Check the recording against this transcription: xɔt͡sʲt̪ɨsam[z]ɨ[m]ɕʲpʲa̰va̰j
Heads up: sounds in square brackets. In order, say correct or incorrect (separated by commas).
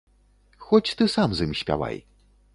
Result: correct, correct